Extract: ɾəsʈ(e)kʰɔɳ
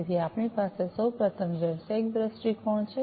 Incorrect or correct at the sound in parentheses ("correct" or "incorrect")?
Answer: incorrect